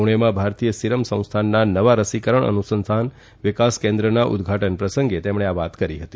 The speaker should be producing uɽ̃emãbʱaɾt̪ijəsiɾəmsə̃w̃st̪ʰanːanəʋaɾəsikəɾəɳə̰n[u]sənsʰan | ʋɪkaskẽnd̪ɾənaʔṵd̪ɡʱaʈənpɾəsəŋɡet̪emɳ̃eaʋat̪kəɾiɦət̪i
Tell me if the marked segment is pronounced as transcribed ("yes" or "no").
yes